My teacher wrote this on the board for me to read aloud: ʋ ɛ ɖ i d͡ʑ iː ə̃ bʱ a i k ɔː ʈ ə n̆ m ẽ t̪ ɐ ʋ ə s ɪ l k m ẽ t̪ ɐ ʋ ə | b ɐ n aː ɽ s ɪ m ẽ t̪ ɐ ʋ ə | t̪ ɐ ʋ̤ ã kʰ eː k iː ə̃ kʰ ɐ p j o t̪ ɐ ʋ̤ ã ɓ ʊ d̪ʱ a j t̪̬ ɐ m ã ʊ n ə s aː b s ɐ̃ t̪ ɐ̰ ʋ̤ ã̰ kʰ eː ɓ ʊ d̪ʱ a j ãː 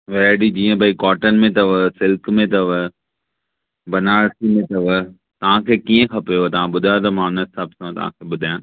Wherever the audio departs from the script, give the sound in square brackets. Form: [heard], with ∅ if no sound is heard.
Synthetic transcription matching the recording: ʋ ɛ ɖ i d͡ʑ iː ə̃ bʱ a i k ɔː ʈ ə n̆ m ẽ t̪ ɐ ʋ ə s ɪ l k m ẽ t̪ ɐ ʋ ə | b ɐ n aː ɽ s [i] m ẽ t̪ ɐ ʋ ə | t̪ ɐ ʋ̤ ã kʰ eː k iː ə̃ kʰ ɐ p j o t̪ ɐ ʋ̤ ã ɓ ʊ d̪ʱ a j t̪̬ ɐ m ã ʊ n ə s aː b s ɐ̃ t̪ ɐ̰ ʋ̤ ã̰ kʰ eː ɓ ʊ d̪ʱ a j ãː